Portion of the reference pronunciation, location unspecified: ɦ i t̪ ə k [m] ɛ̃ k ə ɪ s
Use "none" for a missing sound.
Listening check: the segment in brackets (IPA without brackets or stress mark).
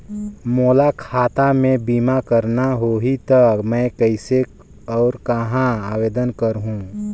m